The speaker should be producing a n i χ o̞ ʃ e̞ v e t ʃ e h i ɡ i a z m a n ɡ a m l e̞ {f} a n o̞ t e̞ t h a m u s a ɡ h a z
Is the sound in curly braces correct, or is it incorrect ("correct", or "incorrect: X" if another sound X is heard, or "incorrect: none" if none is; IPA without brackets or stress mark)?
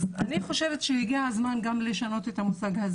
incorrect: ʃ